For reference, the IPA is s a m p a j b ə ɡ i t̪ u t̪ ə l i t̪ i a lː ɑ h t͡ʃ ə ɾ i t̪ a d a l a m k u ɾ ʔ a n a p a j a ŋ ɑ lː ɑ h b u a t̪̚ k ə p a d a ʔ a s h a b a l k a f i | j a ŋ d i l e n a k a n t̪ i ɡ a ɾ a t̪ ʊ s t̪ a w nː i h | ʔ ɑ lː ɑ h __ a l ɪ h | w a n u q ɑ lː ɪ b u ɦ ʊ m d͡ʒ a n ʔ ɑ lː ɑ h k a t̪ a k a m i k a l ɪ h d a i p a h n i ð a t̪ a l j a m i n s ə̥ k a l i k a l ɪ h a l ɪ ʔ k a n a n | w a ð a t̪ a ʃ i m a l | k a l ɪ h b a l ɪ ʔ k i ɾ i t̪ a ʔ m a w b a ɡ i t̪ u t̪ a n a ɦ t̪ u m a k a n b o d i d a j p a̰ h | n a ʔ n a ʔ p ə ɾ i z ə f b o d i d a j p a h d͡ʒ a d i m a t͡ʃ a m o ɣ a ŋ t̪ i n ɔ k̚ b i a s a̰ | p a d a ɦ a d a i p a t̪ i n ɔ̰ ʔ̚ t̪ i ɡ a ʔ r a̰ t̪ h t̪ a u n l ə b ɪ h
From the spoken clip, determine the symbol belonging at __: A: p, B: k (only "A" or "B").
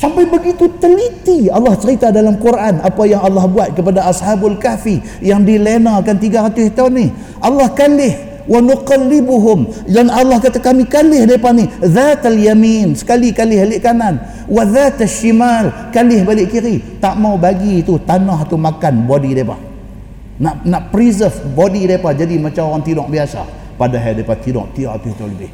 B